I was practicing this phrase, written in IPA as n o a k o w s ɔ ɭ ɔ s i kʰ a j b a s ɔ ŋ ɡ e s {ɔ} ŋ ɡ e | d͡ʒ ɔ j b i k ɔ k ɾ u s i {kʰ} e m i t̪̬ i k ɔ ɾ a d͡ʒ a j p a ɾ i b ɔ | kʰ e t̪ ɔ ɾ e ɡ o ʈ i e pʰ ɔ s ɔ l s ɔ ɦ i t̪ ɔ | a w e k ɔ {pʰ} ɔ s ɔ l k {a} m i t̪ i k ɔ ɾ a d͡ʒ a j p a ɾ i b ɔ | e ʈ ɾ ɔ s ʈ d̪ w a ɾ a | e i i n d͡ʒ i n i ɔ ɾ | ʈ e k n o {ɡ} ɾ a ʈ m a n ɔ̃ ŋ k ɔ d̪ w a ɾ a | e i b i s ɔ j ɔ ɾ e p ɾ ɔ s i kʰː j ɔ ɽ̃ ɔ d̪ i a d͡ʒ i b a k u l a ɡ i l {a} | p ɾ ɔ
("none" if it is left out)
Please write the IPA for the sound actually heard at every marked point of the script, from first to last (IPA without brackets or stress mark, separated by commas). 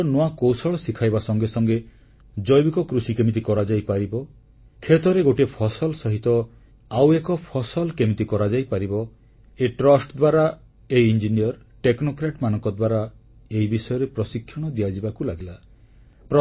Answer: ɔ, k, pʰ, e, k, a